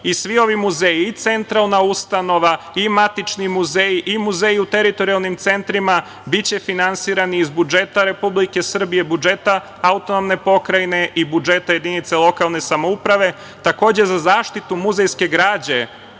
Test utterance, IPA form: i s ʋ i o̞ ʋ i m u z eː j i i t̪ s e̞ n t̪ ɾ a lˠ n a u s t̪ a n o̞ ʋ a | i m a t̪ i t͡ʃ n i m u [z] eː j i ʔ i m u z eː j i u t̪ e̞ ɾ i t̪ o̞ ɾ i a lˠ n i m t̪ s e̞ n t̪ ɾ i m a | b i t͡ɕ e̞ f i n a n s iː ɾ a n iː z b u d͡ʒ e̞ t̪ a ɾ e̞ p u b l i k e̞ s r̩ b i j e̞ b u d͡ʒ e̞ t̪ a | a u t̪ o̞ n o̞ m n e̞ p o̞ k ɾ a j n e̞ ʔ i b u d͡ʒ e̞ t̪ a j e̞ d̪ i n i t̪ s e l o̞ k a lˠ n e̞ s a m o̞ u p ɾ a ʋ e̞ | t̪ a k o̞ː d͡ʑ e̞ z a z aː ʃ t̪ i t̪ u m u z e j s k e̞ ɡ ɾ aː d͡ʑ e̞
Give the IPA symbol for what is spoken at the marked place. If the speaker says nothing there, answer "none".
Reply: z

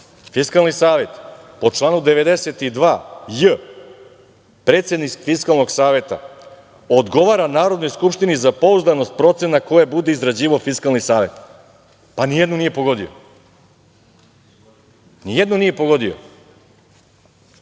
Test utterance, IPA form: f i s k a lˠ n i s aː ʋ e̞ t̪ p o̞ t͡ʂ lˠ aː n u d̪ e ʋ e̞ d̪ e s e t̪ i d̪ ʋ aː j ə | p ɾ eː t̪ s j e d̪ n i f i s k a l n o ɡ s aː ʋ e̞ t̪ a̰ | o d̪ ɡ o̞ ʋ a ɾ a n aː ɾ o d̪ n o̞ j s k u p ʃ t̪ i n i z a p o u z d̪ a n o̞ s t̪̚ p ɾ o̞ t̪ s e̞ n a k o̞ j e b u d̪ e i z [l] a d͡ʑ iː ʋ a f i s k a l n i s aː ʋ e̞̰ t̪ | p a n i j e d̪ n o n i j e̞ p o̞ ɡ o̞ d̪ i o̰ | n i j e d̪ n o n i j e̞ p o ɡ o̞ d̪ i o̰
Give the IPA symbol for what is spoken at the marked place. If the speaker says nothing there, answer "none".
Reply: ɾ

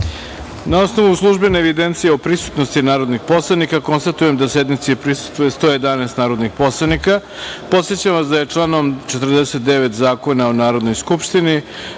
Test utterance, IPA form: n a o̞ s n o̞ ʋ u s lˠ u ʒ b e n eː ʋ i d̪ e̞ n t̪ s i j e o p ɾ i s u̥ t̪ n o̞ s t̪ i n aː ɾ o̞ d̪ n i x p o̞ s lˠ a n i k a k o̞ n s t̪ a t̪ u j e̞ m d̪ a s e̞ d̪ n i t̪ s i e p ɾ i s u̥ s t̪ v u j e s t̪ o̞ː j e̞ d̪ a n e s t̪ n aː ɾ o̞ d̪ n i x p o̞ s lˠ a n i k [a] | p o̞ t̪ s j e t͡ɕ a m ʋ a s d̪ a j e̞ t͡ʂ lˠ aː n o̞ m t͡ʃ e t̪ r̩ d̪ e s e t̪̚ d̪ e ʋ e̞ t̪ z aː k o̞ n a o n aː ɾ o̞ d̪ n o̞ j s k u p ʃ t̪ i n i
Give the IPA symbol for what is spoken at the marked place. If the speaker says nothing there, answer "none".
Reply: a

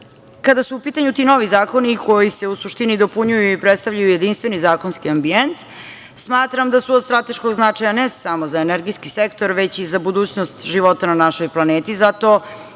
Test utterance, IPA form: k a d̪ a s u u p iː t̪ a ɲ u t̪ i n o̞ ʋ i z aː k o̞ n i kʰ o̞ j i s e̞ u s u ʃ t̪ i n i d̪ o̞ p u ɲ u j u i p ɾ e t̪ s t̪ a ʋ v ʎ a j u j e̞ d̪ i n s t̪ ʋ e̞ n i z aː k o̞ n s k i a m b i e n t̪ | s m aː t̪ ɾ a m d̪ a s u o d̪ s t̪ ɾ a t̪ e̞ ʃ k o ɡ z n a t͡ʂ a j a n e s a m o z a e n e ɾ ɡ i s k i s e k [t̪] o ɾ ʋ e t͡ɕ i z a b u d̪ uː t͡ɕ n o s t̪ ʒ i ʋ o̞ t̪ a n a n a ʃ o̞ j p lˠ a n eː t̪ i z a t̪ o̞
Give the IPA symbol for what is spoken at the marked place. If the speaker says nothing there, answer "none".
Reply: t̪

